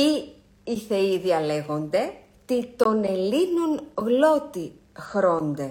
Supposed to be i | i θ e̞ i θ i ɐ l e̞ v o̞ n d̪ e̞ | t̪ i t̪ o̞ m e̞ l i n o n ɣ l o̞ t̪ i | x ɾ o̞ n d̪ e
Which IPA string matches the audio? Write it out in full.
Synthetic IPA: i | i θ e̞ i ð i ɐ l e̞ ɣ o̞ n d̪ e̞ | t̪ i t̪ o̞ n e̞ l i n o n ɣ l o̞ t̪ i | x ɾ o̞ n d̪ e